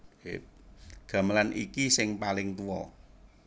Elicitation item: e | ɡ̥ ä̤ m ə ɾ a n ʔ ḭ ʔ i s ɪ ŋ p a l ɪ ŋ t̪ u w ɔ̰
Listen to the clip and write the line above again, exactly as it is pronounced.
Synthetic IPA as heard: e | ɡ̥ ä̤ m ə l a n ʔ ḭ k i s ɪ ŋ p a l ɪ ŋ t̪ u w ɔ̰